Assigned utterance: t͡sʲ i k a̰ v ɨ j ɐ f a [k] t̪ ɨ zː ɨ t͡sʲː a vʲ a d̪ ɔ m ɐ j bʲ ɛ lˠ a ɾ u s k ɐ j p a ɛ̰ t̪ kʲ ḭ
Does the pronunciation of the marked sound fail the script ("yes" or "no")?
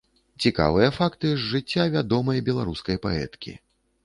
no